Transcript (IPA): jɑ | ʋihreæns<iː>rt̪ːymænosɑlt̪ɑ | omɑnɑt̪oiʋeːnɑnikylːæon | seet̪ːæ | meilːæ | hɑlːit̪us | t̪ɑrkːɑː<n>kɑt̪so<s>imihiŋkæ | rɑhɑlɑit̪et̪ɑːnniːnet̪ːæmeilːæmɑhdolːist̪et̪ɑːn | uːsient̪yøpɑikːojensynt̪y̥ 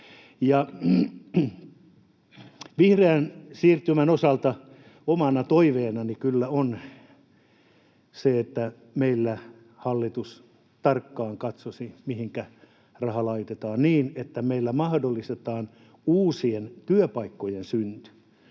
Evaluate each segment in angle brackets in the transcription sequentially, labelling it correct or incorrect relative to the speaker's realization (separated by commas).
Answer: correct, incorrect, correct